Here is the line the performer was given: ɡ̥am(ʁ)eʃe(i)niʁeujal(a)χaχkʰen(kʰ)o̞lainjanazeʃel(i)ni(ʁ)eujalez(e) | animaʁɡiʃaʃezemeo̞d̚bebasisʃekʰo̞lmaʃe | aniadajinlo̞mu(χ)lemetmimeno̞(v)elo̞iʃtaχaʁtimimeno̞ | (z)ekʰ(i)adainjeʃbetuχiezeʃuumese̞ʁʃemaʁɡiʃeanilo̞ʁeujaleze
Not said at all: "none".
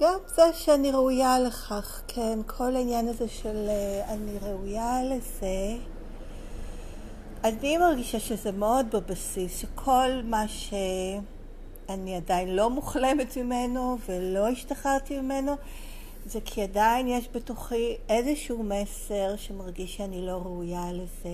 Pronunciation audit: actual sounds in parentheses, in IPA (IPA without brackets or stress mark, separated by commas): z, a, e, kʰ, a, ʁ, e, χ, v, z, i